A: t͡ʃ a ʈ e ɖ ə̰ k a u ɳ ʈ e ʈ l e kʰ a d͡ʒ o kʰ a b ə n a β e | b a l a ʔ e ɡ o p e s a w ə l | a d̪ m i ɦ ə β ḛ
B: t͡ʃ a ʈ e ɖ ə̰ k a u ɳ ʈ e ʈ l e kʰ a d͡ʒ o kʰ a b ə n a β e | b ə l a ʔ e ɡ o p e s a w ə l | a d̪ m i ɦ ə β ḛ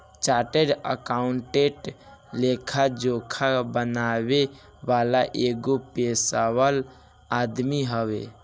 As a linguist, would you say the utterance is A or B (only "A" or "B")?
A